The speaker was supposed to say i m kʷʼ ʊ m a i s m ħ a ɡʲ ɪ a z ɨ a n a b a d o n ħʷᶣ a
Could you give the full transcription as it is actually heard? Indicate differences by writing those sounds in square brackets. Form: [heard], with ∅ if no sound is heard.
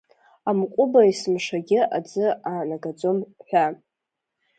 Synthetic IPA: [a] m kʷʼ ʊ [b] a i s m [ʂ] a ɡʲ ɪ a [d͡z] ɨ a n a [ɡ] a [d͡z] o [m] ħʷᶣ a